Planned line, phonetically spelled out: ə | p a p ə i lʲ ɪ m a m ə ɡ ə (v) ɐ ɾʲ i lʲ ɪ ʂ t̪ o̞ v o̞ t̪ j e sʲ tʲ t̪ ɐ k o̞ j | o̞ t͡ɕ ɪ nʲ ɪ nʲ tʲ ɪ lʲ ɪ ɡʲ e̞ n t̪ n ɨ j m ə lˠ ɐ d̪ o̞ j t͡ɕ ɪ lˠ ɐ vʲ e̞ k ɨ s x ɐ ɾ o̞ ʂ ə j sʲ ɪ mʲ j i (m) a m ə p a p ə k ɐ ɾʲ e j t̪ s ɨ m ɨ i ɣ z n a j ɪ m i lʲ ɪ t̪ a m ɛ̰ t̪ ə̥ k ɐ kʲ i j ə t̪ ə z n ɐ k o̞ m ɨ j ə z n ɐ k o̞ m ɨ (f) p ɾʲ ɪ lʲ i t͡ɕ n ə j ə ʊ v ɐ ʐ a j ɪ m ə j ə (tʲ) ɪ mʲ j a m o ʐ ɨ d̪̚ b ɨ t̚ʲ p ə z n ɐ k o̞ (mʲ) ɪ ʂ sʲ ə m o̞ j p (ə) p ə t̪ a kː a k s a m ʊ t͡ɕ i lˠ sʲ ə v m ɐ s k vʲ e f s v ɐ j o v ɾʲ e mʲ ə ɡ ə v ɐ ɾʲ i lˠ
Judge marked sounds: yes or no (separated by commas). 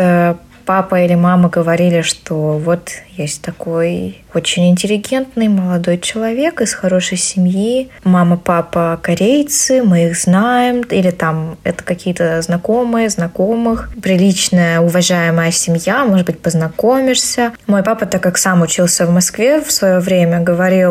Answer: yes, yes, no, no, yes, no